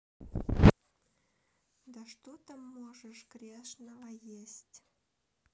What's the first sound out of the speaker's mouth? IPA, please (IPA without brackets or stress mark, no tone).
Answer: d̪